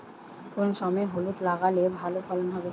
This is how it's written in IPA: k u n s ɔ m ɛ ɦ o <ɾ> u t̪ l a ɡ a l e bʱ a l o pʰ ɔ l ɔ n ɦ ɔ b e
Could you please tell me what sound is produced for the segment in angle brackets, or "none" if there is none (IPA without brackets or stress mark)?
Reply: l